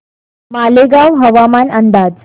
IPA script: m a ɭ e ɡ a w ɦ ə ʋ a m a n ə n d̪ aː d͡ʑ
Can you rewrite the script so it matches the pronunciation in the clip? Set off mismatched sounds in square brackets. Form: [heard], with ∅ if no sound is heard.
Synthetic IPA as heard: m a [l] e ɡ a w ɦ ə ʋ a m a n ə n d̪ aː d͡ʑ